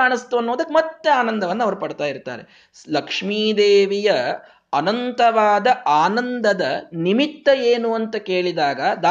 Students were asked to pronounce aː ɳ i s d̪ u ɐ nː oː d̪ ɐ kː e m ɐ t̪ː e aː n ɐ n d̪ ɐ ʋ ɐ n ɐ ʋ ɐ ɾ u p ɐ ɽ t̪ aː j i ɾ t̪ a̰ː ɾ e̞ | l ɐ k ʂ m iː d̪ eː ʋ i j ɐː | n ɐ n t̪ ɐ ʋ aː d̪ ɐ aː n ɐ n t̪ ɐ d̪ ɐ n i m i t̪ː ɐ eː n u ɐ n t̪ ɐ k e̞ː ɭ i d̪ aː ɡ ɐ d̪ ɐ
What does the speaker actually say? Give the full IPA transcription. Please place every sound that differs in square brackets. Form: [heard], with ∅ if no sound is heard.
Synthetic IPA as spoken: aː ɳ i s [t̪] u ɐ nː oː d̪ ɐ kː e m ɐ t̪ː e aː n ɐ n d̪ ɐ ʋ ɐ [nː] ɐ ʋ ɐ ɾ u p ɐ ɽ t̪ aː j i ɾ t̪ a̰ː ɾ e̞ | l ɐ k ʂ m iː d̪ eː ʋ i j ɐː | n ɐ n t̪ ɐ ʋ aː d̪ ɐ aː n ɐ n [d̪] ɐ d̪ ɐ n i m i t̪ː ɐ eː n u ɐ n t̪ ɐ k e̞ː ɭ i d̪ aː ɡ ɐ d̪ [a]